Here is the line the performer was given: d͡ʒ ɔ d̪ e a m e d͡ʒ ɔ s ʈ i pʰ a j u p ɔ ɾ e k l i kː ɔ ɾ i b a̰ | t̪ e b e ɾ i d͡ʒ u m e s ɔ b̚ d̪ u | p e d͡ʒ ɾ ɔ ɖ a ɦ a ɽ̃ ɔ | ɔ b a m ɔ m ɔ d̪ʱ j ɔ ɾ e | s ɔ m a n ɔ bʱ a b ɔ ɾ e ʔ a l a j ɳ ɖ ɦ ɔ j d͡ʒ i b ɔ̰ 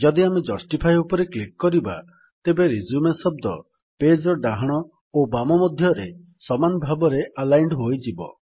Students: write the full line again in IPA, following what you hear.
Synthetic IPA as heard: d͡ʒ ɔ d̪ i a m e d͡ʒ ɔ s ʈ i pʰ a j u p ɔ ɾ e k l i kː ɔ ɾ i b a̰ | t̪ e b e ɾ i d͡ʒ u m e s ɔ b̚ d̪ ɔ | p e d͡ʒ ɾ ɔ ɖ a ɦ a ɽ̃ ɔ | o b a m ɔ m ɔ d̪ʱ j ɔ ɾ e | s ɔ m a n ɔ bʱ a b ɔ ɾ e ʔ a l a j ɳ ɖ ɦ o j d͡ʒ i b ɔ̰